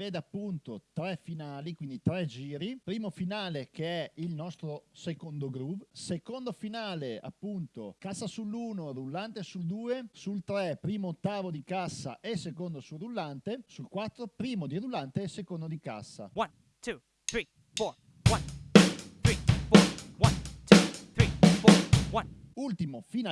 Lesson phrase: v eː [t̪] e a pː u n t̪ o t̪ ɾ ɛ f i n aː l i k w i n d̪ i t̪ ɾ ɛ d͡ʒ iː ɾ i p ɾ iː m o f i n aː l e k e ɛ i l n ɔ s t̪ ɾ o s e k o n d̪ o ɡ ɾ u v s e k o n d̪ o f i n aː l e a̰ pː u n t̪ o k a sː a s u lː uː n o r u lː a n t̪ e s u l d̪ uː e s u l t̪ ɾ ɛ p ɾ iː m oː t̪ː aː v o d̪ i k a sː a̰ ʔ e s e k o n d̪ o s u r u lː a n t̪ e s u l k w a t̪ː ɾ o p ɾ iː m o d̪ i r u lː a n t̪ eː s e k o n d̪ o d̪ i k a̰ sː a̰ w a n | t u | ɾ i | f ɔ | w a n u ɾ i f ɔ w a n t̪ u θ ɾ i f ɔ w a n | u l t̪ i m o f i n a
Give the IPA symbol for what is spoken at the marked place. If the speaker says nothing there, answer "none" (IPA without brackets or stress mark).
d̪